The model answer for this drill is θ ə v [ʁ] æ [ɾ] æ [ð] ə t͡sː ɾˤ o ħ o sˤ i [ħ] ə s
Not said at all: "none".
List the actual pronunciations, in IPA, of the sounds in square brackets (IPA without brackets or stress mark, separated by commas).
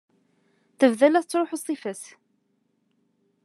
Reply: ð, l, θ, f